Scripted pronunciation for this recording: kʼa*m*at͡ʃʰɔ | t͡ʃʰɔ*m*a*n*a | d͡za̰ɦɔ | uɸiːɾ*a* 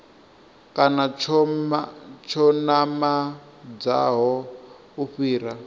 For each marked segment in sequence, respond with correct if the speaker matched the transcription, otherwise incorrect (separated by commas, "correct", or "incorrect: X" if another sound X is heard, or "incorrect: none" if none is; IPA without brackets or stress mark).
incorrect: n, incorrect: n, incorrect: m, correct